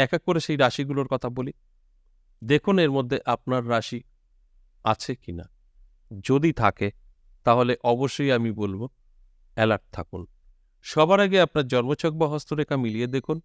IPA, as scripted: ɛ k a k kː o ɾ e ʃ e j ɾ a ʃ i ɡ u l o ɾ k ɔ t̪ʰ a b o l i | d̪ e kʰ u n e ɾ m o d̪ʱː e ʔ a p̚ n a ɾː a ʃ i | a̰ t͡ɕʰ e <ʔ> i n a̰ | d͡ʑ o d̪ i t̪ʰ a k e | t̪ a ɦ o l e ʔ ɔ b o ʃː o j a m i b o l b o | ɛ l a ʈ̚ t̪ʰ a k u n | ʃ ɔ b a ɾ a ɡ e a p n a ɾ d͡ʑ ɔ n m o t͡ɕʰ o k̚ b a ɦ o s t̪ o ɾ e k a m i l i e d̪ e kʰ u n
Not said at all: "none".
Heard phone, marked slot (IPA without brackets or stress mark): k